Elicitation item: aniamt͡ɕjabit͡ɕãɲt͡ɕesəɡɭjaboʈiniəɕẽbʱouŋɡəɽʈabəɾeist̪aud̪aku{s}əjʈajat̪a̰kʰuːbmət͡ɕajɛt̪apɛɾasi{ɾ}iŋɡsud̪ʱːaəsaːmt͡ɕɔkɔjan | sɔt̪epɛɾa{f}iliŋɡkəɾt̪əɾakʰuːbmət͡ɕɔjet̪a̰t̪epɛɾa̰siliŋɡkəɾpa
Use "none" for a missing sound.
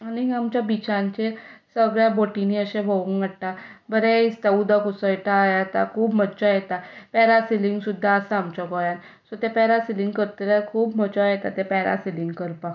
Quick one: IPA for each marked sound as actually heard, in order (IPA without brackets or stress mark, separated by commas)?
s, l, s